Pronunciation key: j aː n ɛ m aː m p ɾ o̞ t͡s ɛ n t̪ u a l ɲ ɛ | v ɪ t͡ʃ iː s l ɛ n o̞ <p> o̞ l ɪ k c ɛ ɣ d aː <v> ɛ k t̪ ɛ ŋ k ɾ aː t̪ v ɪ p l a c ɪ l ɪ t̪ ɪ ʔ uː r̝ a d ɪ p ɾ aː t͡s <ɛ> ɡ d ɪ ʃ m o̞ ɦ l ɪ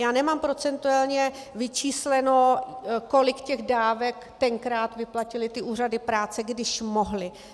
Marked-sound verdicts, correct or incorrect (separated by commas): incorrect, correct, correct